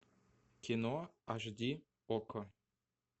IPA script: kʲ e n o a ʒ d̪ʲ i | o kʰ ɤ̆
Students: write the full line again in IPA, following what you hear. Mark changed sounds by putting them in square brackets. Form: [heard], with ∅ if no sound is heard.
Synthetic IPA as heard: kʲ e n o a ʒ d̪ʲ i | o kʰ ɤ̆